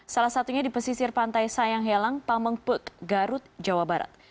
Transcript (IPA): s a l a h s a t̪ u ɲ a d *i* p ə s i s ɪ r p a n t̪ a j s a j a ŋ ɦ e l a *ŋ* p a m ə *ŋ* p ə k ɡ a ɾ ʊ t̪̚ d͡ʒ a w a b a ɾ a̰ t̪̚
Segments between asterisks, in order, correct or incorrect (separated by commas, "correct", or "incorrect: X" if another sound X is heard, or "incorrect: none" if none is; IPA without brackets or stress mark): correct, correct, correct